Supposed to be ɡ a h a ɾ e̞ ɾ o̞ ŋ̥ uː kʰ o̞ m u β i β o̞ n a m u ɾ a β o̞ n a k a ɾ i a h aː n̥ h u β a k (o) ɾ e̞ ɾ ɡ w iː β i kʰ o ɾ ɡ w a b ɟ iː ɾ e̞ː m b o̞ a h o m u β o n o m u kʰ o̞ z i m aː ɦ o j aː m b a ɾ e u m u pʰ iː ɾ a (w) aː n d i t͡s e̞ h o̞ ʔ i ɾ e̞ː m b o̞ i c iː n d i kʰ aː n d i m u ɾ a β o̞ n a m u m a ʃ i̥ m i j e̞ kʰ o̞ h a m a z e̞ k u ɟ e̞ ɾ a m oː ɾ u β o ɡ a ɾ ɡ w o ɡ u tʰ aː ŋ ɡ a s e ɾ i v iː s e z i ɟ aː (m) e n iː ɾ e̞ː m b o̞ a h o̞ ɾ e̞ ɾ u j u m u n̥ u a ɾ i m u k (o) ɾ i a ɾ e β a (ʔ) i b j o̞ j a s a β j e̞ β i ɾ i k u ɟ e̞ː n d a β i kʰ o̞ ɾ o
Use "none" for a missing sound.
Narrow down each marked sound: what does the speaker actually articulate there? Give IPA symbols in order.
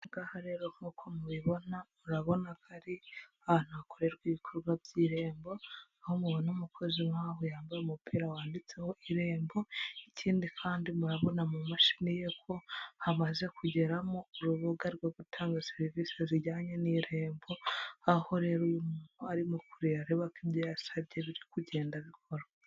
o, w, ɲ, u, k

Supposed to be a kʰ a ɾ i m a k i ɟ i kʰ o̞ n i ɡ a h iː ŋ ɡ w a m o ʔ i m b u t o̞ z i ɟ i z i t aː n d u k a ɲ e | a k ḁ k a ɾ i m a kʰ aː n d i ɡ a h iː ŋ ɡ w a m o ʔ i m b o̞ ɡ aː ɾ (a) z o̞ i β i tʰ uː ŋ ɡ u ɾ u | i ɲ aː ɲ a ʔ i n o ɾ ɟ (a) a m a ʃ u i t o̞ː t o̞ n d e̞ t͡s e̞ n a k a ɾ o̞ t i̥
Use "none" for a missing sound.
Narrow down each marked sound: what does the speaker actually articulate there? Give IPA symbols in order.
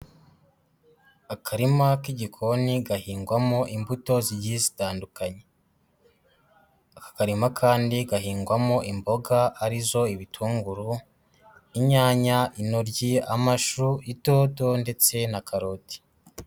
i, i

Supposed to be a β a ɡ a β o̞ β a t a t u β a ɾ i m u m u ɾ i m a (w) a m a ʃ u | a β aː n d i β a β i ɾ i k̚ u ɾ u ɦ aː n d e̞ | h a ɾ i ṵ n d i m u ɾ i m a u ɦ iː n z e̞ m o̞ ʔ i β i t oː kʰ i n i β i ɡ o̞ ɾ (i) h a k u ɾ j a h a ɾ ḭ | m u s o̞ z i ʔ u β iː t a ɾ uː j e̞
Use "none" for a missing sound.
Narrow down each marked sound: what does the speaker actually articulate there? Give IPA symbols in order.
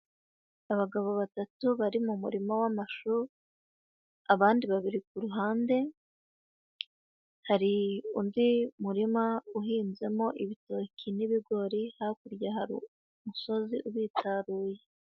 w, i

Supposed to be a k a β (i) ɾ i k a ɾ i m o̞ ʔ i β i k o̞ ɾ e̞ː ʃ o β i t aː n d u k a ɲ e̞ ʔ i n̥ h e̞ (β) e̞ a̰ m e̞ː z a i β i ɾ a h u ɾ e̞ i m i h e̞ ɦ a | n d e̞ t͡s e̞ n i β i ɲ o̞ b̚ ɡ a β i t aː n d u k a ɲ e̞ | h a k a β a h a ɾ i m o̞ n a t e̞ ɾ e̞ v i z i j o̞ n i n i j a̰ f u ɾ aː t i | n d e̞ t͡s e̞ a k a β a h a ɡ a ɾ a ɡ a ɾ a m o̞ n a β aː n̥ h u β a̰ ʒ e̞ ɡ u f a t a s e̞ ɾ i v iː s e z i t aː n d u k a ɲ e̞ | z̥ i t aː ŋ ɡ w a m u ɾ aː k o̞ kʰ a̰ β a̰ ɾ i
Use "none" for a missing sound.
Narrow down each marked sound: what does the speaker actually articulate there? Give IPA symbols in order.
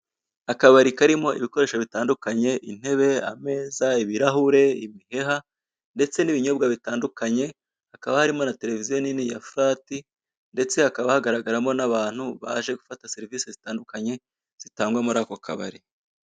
a, β

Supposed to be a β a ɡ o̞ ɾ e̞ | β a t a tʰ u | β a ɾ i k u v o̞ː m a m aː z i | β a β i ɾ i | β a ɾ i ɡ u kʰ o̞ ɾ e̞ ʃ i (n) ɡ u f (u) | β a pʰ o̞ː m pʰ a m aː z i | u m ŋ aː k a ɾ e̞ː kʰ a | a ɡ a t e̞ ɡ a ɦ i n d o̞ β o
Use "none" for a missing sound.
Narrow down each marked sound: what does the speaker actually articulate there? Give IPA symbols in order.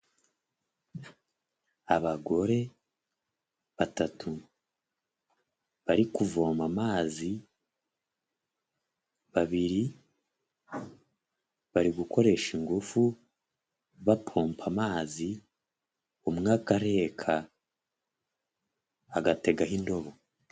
ŋ, u

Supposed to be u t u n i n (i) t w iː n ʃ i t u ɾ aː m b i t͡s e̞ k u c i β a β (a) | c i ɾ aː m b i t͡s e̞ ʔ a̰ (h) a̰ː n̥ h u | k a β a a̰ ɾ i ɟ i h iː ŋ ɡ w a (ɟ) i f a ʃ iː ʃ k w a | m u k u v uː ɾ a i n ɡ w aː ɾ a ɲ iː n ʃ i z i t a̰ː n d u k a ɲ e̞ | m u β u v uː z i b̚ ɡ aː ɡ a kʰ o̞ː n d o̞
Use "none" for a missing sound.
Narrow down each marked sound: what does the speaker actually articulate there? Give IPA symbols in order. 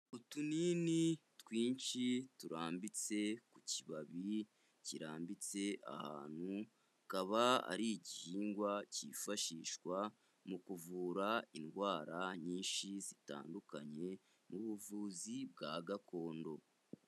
i, i, h, c

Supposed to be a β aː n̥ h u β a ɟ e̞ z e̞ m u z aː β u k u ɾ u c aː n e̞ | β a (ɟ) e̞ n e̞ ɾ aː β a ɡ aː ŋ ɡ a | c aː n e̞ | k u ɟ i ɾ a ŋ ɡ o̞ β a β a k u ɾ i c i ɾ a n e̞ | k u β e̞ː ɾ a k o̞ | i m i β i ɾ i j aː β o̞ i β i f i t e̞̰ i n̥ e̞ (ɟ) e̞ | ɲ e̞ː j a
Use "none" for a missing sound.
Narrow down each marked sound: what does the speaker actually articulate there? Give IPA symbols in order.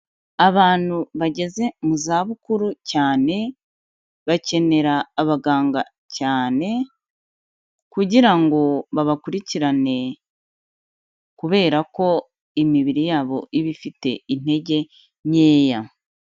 c, ɟ

